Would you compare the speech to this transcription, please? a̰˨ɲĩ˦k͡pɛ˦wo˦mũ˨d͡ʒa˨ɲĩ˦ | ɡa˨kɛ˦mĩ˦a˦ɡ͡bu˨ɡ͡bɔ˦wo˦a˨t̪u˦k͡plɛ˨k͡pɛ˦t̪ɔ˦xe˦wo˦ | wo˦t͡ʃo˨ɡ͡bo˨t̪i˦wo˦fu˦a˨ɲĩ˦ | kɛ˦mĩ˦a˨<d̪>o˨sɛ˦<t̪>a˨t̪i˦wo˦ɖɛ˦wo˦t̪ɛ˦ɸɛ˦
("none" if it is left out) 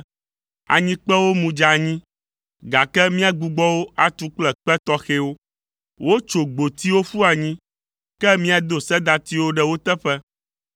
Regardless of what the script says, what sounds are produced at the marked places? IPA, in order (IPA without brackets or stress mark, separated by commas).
d̪, d̪